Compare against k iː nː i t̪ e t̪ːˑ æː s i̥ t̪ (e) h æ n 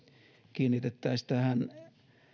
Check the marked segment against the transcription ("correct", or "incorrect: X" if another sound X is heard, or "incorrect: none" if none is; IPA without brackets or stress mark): incorrect: æ